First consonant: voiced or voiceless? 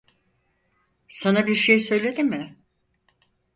voiceless